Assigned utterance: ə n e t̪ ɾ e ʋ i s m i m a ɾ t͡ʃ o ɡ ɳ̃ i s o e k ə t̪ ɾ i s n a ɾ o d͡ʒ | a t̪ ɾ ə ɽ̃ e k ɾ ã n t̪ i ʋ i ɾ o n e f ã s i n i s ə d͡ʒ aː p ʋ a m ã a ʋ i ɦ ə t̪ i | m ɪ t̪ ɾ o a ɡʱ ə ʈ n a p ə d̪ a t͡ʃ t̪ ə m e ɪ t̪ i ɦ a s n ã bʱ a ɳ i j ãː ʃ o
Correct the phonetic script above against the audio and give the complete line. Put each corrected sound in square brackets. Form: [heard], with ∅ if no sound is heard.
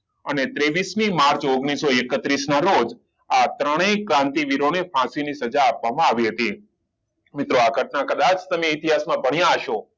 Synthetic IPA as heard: ə n e t̪ ɾ e ʋ i s m i m a ɾ t͡ʃ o ɡ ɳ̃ i s o e k ə t̪ ɾ i s n a ɾ o d͡ʒ | a t̪ ɾ ə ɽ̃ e k ɾ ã n t̪ i ʋ i ɾ o n e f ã s i n i s ə d͡ʒ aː p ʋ a m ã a ʋ i ɦ ə t̪ i | m ɪ t̪ ɾ o a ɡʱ ə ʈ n a [k] ə d̪ a t͡ʃ t̪ ə m e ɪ t̪ i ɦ a s [m] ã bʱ [ə] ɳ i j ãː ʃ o